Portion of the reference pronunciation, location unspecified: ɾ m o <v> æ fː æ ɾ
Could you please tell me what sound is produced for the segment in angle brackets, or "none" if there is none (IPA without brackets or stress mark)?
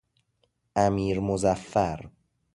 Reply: z